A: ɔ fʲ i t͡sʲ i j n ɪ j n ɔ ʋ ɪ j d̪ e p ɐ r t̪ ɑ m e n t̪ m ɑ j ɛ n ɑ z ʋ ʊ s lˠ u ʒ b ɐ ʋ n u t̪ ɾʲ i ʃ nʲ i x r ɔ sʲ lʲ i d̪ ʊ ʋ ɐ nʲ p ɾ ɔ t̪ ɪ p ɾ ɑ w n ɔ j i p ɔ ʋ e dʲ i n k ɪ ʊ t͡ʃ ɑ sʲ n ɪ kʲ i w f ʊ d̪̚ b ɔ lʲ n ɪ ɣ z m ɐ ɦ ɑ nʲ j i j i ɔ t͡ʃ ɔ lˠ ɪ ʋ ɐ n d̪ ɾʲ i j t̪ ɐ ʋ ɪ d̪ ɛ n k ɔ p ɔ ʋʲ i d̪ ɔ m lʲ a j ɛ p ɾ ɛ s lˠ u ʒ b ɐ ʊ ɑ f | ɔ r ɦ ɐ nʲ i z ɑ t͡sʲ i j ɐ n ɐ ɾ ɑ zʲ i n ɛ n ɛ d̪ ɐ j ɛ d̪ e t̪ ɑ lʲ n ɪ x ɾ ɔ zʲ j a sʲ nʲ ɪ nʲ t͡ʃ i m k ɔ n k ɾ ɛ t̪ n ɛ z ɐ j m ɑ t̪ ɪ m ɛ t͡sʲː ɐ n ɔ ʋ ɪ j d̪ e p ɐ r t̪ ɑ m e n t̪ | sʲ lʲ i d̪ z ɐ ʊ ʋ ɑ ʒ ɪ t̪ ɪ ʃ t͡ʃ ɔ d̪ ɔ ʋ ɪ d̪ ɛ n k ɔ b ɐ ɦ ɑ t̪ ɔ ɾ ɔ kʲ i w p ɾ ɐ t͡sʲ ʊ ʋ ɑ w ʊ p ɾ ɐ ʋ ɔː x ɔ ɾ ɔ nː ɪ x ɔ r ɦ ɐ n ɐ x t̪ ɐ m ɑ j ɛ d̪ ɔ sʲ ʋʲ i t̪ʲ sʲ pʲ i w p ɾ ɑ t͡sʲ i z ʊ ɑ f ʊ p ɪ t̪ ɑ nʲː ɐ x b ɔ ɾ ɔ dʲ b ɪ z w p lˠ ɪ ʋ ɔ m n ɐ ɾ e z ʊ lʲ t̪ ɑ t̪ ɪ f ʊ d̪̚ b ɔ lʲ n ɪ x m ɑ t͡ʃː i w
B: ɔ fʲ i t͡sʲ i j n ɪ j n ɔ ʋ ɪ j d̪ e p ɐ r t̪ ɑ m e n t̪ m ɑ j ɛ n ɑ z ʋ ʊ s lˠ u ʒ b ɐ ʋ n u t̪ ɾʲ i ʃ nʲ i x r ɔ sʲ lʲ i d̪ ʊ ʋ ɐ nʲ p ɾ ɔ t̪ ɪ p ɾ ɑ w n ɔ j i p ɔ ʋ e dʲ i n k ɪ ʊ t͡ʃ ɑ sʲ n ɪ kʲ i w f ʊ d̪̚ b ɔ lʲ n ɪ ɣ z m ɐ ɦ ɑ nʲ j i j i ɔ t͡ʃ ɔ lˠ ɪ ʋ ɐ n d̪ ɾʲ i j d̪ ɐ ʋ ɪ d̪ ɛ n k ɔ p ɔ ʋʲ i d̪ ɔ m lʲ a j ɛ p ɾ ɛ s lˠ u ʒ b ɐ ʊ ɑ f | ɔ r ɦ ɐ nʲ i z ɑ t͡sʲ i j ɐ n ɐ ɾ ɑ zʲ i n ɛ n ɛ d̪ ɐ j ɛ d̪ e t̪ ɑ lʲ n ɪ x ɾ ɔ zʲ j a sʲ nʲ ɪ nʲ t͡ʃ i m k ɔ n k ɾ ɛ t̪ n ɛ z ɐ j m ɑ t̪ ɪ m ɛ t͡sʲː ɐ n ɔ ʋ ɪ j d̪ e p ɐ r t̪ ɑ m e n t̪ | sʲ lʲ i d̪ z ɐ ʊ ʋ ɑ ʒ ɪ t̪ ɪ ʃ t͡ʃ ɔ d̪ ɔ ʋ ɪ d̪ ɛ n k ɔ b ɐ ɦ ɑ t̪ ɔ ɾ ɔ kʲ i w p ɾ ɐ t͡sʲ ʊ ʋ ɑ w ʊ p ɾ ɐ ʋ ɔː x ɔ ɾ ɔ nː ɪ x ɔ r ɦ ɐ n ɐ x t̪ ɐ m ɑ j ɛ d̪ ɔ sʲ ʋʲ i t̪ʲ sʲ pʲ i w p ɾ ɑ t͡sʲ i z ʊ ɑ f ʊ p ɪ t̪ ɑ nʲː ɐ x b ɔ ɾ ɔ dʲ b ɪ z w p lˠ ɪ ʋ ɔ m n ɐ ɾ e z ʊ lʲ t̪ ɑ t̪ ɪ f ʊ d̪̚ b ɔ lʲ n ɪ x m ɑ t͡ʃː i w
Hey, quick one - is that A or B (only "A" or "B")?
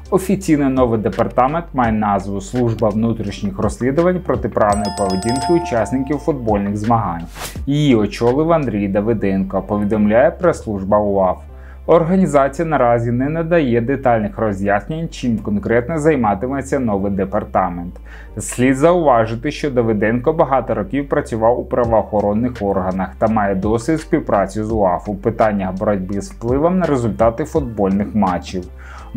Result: B